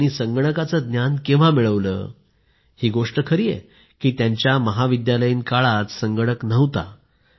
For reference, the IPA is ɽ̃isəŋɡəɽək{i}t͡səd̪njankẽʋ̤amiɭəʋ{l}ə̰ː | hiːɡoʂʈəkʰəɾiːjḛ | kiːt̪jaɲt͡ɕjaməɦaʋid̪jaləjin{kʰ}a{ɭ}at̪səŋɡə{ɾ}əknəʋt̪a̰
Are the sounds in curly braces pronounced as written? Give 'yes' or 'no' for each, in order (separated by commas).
no, yes, no, yes, no